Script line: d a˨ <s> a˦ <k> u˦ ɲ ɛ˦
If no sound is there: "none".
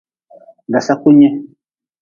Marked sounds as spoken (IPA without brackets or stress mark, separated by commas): s, k